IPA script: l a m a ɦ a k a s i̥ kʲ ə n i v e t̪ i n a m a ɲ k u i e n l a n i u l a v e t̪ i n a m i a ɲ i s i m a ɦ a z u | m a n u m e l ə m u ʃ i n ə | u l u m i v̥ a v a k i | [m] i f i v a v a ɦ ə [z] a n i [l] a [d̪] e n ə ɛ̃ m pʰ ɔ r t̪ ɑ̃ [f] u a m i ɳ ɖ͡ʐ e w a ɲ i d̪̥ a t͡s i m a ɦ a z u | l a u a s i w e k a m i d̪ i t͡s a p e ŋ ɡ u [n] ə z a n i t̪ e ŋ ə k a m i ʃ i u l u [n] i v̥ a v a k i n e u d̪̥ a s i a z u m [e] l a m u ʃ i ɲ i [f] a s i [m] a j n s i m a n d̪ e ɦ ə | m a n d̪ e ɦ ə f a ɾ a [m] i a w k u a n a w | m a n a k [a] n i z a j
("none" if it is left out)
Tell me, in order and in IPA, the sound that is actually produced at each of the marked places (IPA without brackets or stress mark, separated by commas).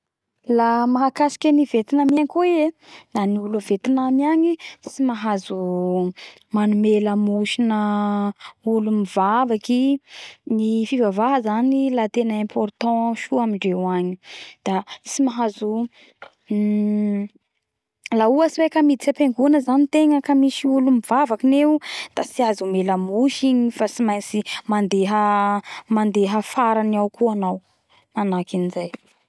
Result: n, z, l, t̪, ʃ, n, m, e, f, m, n, i